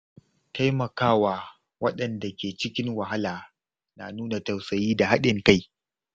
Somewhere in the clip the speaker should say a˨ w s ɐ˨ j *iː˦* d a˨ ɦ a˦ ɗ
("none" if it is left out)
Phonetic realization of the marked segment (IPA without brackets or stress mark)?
iː˦